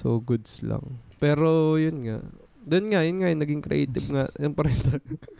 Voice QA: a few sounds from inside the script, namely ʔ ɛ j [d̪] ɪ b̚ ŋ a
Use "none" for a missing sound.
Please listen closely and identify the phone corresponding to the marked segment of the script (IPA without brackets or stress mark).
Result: t̪